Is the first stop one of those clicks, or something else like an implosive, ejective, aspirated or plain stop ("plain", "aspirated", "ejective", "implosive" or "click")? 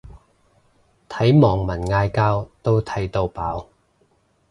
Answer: aspirated